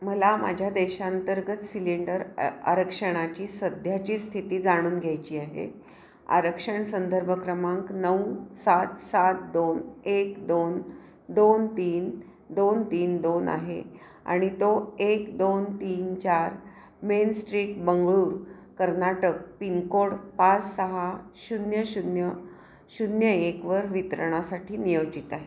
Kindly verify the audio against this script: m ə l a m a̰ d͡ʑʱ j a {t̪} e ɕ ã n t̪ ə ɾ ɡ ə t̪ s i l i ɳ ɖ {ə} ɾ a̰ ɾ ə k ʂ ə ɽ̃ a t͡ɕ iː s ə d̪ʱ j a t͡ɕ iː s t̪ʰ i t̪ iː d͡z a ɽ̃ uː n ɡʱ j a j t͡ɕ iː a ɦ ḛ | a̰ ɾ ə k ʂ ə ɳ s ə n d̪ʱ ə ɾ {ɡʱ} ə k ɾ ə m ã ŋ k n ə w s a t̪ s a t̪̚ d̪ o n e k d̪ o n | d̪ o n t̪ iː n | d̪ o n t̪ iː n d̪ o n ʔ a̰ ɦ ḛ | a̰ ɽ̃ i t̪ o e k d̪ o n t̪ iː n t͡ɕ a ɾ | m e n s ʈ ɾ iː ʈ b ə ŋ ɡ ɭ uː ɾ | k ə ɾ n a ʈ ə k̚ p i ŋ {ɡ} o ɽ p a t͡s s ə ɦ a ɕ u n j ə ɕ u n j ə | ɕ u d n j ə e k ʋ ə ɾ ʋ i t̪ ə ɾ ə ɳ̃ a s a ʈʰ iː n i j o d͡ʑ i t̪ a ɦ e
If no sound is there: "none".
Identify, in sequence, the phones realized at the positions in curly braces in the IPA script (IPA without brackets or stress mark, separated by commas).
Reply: d̪, ə, bʱ, k